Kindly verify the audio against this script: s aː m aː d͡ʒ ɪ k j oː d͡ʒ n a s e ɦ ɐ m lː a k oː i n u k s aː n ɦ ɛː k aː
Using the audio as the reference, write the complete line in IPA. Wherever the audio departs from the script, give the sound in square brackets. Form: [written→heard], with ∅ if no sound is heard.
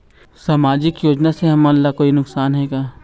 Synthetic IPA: s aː m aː d͡ʒ ɪ k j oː d͡ʒ n a s e ɦ ɐ m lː a k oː i n [u→ʊ] k s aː n ɦ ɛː [k→ɡ] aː